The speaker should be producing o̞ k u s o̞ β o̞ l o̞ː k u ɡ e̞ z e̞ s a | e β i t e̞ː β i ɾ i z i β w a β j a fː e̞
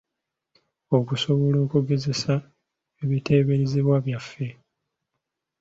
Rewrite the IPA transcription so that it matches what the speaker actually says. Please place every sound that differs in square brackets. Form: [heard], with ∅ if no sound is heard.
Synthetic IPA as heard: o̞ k u s o̞ β o̞ l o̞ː k u ɡ e̞ z e̞ s a | e β i t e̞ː β [e] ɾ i z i β w a β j a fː e̞